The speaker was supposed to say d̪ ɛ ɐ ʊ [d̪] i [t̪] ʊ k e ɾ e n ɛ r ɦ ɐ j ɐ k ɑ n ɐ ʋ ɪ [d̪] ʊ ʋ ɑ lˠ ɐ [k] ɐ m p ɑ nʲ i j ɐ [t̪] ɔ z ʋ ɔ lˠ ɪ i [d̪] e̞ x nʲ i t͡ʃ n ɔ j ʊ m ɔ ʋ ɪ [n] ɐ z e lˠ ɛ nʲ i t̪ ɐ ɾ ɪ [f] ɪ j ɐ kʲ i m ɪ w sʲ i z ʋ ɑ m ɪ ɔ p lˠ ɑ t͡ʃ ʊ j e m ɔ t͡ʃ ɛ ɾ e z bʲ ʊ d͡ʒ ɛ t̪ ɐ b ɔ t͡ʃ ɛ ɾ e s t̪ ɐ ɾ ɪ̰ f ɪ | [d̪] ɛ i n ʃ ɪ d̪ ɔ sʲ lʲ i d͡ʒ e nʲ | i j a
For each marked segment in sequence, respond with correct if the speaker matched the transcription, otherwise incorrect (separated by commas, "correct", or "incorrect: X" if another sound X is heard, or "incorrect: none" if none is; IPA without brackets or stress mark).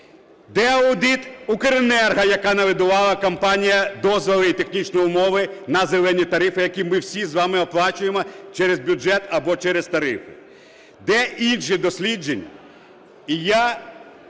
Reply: correct, correct, correct, correct, incorrect: d̪, incorrect: t̪, correct, correct, correct